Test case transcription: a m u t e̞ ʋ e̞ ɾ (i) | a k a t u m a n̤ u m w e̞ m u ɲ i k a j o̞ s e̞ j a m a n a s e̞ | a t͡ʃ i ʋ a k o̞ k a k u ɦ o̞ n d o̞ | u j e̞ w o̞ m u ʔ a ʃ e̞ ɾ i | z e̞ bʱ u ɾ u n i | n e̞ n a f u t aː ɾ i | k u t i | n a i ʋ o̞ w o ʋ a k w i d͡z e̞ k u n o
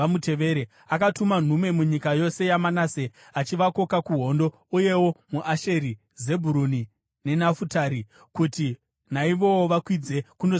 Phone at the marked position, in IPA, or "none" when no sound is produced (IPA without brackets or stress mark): e